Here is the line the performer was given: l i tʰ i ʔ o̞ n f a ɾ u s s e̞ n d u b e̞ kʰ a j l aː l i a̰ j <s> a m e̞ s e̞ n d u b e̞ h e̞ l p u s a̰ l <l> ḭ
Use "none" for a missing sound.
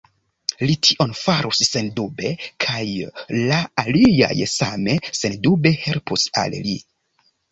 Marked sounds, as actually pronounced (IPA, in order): s, l

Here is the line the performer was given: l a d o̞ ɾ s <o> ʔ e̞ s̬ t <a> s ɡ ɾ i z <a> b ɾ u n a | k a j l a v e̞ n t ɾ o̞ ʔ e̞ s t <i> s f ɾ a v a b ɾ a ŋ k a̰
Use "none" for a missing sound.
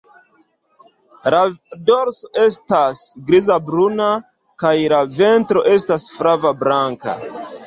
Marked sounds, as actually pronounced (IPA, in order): o, a, a, a

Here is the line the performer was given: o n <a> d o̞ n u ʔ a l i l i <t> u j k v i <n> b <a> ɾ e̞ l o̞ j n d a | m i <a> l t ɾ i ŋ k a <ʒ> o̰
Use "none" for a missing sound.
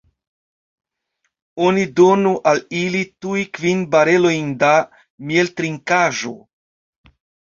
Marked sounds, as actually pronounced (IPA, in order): i, t, n, a, e, ʒ

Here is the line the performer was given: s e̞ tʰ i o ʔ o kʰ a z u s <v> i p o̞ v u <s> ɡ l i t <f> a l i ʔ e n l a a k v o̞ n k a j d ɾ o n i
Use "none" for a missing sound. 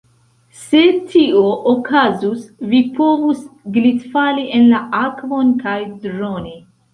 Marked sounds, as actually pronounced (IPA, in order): v, s, f

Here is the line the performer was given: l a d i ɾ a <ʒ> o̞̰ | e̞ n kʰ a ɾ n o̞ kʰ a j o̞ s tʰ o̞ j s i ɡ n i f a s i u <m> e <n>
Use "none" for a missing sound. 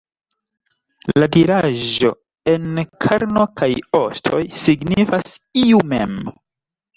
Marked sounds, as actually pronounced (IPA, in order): ʒ, m, m

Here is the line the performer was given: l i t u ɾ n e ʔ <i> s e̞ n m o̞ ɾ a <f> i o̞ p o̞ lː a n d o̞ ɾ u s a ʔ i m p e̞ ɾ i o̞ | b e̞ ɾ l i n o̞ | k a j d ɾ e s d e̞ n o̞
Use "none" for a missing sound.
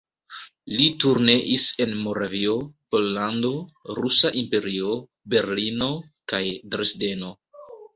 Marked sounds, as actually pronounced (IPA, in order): i, v

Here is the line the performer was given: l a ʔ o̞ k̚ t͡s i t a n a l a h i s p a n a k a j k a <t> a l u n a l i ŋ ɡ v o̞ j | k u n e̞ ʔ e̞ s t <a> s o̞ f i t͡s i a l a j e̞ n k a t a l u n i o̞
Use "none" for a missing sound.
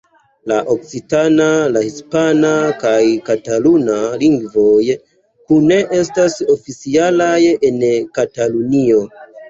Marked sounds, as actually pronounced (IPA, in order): t, a

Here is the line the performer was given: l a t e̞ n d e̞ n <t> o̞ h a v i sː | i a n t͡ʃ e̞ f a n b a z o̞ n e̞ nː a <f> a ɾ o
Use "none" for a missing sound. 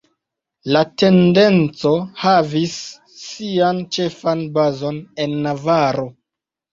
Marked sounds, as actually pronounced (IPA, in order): t͡s, v

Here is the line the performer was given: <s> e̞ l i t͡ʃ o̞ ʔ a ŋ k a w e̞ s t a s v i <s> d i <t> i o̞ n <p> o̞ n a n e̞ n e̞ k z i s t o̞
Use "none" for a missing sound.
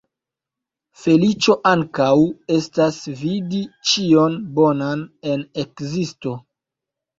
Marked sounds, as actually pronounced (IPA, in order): f, none, t͡ʃ, b

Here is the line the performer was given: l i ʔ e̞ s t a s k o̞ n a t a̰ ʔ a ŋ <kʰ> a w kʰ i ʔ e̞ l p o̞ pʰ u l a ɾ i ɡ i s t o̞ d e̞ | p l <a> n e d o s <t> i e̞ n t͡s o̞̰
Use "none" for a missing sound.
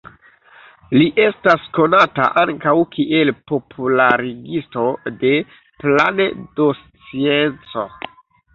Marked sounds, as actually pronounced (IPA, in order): k, a, t͡s

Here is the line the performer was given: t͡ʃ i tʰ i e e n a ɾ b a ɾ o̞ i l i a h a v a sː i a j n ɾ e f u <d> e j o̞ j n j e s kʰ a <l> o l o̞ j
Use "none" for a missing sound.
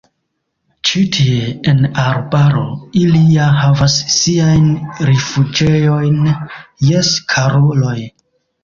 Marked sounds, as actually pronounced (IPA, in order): d͡ʒ, ɾ

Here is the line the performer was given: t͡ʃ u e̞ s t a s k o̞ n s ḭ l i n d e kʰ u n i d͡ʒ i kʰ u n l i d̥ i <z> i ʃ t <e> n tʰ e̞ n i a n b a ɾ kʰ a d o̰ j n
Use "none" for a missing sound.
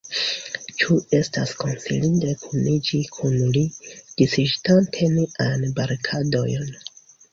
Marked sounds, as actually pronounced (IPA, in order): s, a

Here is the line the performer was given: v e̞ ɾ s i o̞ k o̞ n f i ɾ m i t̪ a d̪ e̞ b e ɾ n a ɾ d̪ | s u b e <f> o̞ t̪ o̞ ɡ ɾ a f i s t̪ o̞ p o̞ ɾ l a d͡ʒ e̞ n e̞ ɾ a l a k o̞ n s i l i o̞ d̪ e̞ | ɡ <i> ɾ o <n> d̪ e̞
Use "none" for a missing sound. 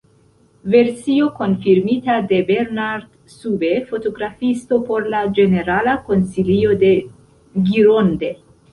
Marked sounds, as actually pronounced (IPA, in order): f, i, n

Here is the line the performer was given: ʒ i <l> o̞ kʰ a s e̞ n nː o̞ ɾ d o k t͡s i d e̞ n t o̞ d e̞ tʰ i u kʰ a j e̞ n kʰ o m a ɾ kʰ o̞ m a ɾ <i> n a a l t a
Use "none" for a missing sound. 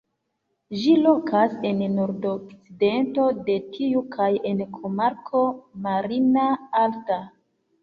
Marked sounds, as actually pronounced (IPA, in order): l, i

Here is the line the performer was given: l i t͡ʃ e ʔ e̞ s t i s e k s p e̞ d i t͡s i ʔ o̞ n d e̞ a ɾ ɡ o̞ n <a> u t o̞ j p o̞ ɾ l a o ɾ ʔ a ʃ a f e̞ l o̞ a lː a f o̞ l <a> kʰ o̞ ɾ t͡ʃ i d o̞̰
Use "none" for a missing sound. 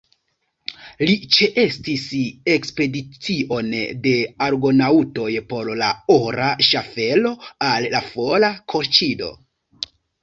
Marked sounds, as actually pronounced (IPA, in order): a, a

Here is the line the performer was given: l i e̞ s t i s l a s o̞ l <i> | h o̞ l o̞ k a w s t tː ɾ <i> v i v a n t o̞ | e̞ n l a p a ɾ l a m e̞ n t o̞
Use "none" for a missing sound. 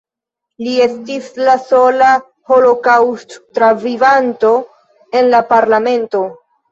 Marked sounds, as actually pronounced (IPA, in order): a, a

